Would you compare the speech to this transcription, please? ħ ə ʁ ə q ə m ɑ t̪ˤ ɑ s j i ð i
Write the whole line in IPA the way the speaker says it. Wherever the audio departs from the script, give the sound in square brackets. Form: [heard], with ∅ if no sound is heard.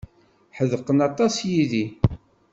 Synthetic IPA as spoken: ħ ə [ð] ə q ə [n] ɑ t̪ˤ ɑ s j i ð i